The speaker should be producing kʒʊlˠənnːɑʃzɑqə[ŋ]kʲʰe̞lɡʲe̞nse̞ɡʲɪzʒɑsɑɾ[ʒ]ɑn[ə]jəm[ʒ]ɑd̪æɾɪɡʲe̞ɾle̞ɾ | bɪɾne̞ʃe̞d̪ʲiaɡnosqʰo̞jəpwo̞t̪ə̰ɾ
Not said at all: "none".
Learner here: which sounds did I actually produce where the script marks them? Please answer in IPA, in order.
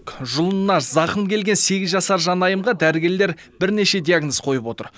m, ʒ, ɑ, ʁ

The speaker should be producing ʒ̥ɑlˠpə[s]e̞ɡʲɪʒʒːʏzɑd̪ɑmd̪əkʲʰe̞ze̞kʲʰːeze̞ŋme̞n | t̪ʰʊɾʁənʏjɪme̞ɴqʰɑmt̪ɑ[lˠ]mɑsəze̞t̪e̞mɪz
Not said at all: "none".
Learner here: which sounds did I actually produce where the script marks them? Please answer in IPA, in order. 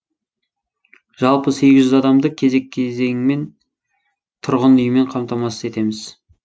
s, none

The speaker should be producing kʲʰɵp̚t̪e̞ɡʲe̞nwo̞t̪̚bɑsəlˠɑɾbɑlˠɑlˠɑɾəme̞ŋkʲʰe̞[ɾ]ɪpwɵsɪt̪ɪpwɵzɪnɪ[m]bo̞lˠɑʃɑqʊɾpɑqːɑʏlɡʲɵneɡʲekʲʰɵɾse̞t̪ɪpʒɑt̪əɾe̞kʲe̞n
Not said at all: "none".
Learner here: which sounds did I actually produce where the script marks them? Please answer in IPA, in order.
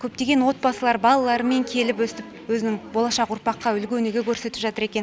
l, ŋ

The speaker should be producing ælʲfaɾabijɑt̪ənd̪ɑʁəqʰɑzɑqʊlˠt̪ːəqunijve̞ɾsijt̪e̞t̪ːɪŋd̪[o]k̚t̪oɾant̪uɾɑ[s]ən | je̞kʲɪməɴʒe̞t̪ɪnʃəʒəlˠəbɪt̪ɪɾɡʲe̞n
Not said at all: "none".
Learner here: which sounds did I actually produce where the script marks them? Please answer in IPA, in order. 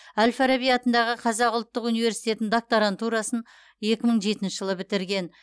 o, s

